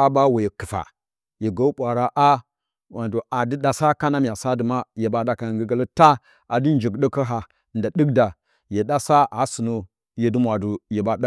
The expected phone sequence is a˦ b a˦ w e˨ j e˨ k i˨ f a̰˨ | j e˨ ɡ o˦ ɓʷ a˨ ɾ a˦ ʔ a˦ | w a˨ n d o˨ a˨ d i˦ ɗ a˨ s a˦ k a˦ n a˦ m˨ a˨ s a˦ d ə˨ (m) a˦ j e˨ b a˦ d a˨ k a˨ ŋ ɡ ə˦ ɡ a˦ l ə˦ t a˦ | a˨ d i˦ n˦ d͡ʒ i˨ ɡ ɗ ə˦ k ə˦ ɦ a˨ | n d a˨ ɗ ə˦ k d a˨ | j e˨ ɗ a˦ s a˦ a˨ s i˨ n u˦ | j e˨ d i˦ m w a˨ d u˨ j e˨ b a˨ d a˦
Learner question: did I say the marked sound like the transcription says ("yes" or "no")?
yes